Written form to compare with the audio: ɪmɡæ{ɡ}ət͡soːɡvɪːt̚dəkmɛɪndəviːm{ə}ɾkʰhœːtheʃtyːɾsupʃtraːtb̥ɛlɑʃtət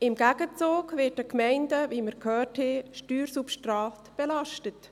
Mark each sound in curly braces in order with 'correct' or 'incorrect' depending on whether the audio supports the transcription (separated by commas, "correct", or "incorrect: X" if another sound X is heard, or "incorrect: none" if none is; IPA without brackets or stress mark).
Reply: correct, correct